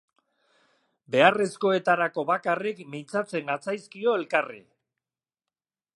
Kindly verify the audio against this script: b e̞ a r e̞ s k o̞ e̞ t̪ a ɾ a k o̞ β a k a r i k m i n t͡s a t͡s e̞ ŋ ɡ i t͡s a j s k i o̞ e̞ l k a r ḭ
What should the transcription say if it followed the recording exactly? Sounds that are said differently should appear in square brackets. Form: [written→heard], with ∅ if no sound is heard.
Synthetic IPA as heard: b e̞ a r e̞ s k o̞ e̞ t̪ a ɾ a k o̞ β a k a r i k m i n t͡s a t͡s e̞ ŋ ɡ [i→a] t͡s a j s k i o̞ e̞ l k a r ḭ